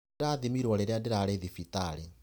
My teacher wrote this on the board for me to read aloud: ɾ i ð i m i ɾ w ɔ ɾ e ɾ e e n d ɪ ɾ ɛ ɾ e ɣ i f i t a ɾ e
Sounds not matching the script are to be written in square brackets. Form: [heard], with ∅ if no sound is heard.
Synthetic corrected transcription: ɾ [a] ð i m i ɾ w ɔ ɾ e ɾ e [a] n d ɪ ɾ [a] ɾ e [ð] i f i t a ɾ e